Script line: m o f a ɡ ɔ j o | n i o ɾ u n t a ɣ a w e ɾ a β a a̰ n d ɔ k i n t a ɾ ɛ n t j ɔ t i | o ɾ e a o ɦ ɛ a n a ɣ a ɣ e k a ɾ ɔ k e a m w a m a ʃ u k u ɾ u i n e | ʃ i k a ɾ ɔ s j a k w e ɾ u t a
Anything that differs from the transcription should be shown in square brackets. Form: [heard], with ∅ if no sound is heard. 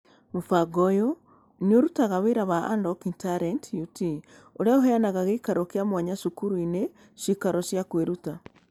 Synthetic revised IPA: m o f a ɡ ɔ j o | n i o ɾ u [∅] t a ɣ a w e ɾ a β a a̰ n d ɔ k i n t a ɾ ɛ n t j [u] t i | o ɾ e a o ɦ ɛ a n a ɣ a ɣ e k a ɾ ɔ k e a m w a [ɲ] a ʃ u k u ɾ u i n e | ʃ i k a ɾ ɔ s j a k w e ɾ u t a